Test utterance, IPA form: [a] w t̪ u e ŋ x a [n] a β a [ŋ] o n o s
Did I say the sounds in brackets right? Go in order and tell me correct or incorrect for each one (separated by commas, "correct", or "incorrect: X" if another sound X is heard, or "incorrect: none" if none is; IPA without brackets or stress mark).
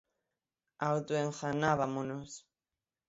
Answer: correct, correct, incorrect: m